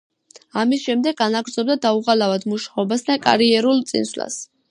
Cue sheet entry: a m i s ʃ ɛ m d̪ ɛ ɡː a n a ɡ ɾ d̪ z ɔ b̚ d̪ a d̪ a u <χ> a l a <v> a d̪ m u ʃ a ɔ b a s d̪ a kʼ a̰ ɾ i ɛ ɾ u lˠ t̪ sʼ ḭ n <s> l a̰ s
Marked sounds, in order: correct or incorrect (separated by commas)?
incorrect, correct, correct